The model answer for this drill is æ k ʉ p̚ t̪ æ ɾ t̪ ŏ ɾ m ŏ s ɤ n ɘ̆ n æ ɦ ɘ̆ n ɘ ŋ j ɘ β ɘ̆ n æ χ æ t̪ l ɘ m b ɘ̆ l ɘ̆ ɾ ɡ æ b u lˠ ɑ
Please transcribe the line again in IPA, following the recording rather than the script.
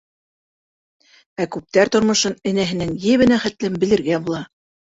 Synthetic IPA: æ k ʉ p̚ t̪ æ ɾ t̪ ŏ ɾ m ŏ ʃ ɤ n ɘ̆ n æ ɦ ɘ̆ n ɘ ŋ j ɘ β ɘ̆ n æ χ æ t̪ l ɘ m b ɘ̆ l ɘ̆ ɾ ɡ æ b u lˠ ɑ